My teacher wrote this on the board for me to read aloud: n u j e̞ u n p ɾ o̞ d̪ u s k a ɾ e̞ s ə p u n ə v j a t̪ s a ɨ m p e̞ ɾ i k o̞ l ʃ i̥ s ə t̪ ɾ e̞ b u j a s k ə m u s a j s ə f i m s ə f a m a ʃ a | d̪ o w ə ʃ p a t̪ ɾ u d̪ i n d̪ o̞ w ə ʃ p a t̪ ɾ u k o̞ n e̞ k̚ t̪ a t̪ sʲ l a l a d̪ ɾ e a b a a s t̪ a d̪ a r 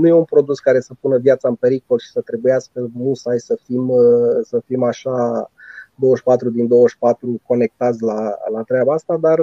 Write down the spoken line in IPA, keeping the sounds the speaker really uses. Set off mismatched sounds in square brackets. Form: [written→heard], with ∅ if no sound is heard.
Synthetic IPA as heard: n u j e̞ u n p ɾ o̞ d̪ u s k a ɾ e̞ s ə p u n ə v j a t̪ s a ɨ m p e̞ ɾ i k o̞ l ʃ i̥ s ə t̪ ɾ e̞ b u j a s k ə m u s a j s ə f i m s ə f [a→i] m a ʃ a | d̪ o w ə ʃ p a t̪ ɾ u d̪ i n d̪ o̞ w ə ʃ p a t̪ ɾ u k o̞ n e̞ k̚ t̪ a t̪ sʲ l a l a [d̪→t̪] ɾ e a b a a s t̪ a d̪ a r